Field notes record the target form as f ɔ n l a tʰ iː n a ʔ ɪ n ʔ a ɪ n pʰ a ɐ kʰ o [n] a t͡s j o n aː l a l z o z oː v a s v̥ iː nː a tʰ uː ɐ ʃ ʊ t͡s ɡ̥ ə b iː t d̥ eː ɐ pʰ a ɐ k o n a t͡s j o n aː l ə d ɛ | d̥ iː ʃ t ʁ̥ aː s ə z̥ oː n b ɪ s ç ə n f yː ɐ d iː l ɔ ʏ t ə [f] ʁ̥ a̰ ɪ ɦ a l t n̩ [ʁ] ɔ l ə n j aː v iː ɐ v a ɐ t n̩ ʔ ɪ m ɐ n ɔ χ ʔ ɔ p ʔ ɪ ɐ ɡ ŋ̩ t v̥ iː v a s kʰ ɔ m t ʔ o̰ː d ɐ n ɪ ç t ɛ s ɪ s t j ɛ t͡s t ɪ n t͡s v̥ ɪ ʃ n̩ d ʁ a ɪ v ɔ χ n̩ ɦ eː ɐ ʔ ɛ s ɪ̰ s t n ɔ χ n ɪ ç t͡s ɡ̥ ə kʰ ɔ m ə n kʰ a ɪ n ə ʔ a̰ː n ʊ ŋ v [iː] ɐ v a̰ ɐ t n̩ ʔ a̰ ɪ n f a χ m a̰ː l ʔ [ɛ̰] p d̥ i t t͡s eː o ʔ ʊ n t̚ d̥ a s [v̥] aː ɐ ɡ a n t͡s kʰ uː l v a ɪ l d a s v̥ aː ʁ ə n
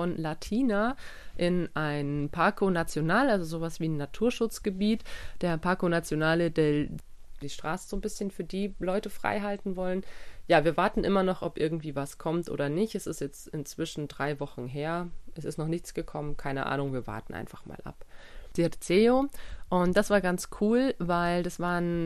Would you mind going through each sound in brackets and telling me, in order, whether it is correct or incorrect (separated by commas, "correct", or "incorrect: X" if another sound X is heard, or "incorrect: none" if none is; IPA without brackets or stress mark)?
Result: correct, correct, incorrect: v, correct, incorrect: a̰, correct